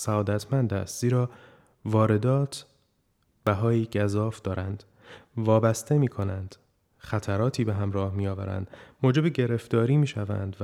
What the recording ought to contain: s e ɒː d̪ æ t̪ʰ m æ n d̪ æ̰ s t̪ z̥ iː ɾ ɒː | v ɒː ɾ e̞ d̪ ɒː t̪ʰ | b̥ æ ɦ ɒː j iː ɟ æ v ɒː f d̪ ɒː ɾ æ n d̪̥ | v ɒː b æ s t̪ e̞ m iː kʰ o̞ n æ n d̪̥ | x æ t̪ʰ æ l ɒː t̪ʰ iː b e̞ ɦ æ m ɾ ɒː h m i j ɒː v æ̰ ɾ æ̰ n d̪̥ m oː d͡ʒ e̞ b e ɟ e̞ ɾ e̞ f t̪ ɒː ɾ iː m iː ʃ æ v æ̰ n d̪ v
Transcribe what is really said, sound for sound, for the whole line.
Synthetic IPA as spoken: s æ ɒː d̪ æ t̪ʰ m æ n d̪ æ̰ s t̪ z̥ iː ɾ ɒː | v ɒː ɾ e̞ d̪ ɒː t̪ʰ | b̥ æ ɦ ɒː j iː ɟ æ z ɒː f d̪ ɒː ɾ æ n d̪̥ | v ɒː b æ s t̪ e̞ m iː kʰ o̞ n æ n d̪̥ | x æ t̪ʰ æ ɾ ɒː t̪ʰ iː b e̞ ɦ æ m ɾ ɒː h m i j ɒː v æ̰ ɾ æ̰ n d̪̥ m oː d͡ʒ e̞ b e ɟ e̞ ɾ e̞ f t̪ ɒː ɾ iː m iː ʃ æ v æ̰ n d̪ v